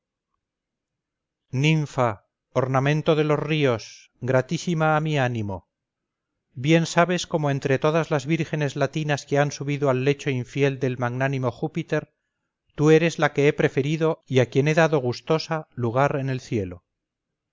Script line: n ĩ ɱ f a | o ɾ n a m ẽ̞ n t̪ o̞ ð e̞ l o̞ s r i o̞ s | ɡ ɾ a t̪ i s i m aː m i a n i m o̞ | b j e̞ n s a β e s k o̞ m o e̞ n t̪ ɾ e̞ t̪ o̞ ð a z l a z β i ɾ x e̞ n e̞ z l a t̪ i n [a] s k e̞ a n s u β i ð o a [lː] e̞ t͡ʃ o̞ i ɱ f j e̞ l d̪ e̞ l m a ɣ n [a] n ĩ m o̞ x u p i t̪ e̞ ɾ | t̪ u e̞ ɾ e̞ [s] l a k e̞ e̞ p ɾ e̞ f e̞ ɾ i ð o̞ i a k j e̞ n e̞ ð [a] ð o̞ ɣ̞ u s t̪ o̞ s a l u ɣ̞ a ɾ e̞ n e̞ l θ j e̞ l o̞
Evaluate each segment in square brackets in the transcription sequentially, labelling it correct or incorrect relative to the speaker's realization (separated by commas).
correct, correct, correct, incorrect, correct